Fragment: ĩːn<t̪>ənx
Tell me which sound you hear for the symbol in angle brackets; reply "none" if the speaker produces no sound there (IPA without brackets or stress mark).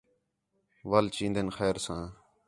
d̪